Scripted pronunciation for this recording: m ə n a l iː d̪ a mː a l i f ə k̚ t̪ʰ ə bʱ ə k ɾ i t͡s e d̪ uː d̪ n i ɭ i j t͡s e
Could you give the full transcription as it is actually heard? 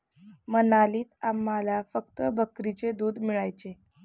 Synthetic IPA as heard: m ə n a l iː t̪ a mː a l a f ə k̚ t̪ ə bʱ ə k ɾ i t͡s e d̪ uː d̪ m i ɭ a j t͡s e